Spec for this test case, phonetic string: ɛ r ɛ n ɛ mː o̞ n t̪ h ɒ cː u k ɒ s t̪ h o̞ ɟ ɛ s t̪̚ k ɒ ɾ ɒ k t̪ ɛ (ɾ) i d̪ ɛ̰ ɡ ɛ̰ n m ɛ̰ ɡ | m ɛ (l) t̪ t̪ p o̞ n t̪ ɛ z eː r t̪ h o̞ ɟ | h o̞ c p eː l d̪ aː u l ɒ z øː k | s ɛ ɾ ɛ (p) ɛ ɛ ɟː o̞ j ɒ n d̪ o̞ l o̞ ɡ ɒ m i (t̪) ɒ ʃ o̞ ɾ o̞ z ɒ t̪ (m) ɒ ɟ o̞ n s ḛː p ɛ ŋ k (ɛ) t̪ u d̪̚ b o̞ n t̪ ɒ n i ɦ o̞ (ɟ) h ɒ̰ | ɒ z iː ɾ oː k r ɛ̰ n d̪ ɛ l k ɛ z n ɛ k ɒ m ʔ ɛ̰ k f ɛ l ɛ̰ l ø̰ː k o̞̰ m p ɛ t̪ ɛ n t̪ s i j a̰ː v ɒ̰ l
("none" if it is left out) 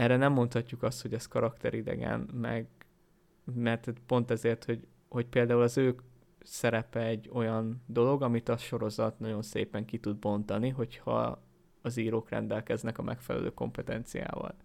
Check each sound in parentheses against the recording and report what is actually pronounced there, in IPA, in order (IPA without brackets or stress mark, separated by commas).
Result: ɾ, r, p, t̪, n, i, c